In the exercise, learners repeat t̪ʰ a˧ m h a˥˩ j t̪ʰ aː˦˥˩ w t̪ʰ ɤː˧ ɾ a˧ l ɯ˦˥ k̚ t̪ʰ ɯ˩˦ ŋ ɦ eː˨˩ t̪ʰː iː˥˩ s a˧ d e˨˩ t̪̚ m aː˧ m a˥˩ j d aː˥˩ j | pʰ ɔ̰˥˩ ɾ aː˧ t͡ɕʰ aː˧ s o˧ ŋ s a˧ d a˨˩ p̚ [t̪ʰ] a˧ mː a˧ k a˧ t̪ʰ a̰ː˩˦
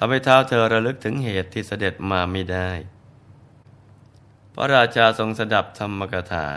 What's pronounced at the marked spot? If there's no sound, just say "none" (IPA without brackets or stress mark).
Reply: t̪ʰ